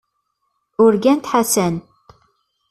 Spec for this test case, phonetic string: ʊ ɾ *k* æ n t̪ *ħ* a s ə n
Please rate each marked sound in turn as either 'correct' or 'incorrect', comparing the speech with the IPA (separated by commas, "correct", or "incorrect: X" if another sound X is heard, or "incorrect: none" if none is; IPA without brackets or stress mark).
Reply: incorrect: ɡ, correct